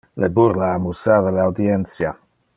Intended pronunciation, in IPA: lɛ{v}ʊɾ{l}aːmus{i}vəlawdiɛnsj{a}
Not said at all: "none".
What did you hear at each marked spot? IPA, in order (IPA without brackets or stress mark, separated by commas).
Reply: b, l, a, a